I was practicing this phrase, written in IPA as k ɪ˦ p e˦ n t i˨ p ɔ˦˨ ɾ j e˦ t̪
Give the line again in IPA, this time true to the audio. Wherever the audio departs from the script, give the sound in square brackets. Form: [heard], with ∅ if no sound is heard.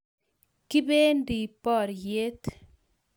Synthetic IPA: k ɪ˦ [b] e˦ n [d] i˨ p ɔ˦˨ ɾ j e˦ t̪